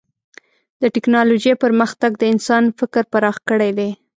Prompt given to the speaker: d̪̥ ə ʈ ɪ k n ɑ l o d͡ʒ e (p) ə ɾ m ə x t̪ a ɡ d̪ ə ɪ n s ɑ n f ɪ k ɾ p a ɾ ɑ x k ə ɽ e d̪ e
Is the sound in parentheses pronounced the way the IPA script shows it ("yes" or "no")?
yes